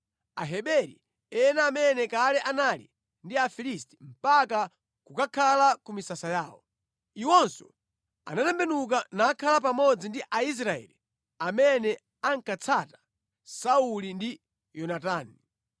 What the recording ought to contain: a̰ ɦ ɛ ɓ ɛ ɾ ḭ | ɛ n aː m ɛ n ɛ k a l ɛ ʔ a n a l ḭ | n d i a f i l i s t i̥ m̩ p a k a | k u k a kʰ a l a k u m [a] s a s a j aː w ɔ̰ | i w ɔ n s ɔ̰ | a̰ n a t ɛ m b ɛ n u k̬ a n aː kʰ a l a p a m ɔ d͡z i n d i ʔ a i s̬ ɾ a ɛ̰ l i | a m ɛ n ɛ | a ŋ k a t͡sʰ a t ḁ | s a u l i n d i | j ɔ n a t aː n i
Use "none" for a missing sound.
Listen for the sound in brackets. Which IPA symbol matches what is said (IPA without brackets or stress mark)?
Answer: i